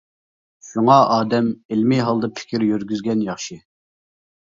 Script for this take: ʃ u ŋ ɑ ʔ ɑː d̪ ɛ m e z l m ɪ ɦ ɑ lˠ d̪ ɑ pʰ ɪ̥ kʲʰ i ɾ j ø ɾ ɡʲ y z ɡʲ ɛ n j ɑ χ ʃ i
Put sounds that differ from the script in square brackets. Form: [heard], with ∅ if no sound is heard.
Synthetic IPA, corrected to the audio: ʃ u ŋ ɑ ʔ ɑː d̪ ɛ m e [∅] l m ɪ ɦ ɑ lˠ d̪ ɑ pʰ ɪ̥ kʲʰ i ɾ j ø ɾ ɡʲ y z ɡʲ ɛ n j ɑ χ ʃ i